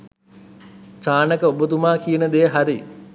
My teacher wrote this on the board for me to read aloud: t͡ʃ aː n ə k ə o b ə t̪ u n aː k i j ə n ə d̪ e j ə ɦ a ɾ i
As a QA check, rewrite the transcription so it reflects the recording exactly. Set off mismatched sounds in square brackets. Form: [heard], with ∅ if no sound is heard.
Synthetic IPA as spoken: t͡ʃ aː n ə k ə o b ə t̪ u [m] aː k i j ə n ə d̪ e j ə ɦ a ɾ i